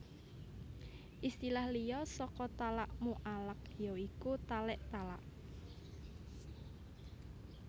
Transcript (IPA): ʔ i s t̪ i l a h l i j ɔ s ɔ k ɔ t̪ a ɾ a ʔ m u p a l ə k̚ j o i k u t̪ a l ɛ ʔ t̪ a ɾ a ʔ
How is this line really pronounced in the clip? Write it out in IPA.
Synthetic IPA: ʔ i s t̪ i l a h l i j ɔ s ɔ k ɔ t̪ a l a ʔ m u ʔ a l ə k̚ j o i k u t̪ a l ɛ ʔ t̪ a l a ʔ